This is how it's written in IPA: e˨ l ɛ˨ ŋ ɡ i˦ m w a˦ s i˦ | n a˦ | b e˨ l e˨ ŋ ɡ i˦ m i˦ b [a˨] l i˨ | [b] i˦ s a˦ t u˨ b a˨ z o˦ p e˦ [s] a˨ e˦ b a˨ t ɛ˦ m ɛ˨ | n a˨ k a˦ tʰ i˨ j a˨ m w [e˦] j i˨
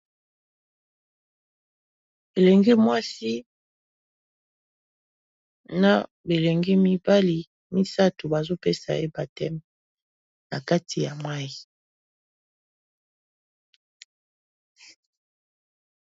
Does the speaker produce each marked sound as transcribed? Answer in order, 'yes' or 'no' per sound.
no, no, yes, no

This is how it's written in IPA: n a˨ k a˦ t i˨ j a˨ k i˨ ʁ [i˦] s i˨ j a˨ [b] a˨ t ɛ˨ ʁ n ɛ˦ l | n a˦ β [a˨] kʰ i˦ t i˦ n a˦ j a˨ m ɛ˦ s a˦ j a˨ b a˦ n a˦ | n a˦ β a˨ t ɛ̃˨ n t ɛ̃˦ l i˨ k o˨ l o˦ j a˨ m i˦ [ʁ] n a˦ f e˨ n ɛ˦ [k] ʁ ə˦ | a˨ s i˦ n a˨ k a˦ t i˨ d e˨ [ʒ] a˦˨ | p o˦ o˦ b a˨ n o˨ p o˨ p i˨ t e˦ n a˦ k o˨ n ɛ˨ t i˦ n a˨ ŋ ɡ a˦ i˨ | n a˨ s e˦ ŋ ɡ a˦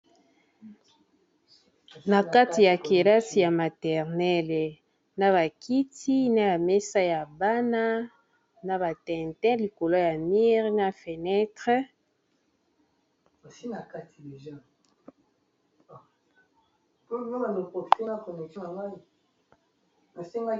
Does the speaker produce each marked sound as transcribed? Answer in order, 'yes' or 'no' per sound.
no, no, yes, yes, no, yes

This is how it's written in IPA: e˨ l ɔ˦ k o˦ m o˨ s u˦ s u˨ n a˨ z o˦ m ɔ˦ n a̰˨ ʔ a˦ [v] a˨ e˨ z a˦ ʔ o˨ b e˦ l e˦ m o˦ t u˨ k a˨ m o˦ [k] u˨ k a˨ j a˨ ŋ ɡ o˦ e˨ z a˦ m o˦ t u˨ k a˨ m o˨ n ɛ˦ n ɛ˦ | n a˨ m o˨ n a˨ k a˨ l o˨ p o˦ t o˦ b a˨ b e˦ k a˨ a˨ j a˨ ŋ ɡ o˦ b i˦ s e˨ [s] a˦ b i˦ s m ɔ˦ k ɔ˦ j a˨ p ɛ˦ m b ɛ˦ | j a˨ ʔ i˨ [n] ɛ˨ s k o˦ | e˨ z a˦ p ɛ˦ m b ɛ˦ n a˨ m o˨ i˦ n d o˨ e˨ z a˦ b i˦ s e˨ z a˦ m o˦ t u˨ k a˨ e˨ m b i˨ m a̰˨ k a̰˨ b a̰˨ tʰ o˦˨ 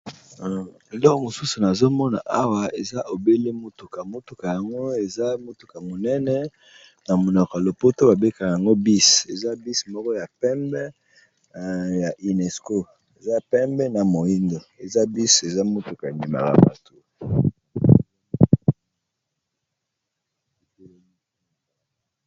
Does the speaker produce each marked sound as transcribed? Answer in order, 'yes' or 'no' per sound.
no, no, no, yes

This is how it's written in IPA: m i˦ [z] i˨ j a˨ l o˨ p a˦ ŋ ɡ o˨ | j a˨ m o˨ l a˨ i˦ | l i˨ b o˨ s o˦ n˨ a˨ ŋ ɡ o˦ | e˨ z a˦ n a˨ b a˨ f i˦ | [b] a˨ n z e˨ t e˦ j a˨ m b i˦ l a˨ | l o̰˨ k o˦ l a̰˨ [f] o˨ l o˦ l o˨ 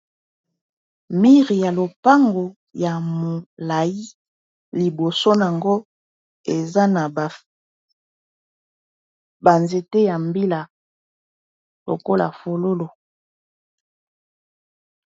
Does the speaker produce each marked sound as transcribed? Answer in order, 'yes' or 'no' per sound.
no, yes, yes

